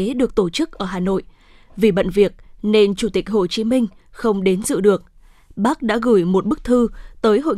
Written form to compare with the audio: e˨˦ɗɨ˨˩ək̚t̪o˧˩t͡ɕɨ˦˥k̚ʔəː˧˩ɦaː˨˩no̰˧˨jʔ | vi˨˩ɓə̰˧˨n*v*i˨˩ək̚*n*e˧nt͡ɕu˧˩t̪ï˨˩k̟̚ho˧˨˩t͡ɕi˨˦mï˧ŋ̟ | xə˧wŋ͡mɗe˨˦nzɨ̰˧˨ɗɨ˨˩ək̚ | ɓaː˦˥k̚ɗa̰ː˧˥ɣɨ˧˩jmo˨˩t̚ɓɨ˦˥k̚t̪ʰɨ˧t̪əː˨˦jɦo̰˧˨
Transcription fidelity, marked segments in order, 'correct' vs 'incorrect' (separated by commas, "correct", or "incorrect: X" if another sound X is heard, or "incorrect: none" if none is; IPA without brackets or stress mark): correct, correct